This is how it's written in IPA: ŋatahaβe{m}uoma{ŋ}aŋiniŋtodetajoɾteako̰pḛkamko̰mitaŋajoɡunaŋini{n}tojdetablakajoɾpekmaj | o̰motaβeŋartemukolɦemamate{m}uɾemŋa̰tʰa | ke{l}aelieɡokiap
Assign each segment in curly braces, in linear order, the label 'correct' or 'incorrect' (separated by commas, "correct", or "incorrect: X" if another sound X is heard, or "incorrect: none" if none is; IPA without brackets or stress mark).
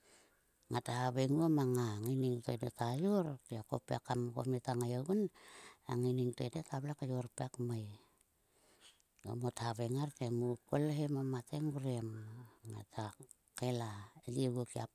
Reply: incorrect: ŋ, correct, incorrect: ŋ, incorrect: ŋ, correct